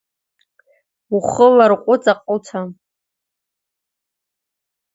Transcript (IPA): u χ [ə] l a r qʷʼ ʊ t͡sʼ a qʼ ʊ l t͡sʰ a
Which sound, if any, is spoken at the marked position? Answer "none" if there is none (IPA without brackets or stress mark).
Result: ə